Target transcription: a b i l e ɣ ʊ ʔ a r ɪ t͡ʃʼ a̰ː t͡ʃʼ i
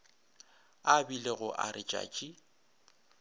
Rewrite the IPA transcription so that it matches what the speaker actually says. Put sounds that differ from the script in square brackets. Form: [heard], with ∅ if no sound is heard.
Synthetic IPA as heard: a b i l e ɣ ʊ ʔ a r ɪ t͡ʃʼ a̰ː t͡ʃʼ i